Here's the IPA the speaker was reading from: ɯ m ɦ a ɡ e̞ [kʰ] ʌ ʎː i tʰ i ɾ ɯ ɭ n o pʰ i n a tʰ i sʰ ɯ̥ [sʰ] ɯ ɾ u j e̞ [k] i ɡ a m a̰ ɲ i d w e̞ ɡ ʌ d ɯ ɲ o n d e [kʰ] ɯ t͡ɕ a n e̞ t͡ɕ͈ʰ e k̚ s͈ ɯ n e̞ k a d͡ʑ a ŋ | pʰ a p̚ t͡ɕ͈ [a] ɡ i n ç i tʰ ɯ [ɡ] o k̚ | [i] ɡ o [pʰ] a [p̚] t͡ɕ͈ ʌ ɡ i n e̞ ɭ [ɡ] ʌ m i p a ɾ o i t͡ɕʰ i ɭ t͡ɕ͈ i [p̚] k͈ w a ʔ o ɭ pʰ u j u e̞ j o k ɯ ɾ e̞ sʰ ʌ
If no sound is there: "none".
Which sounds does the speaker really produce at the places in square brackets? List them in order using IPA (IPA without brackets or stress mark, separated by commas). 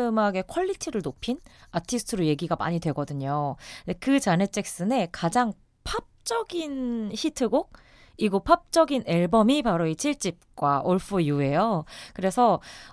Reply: kʰ, tʰ, ɡ, k, ʌ, ɡ, i, pʰ, p̚, b, p̚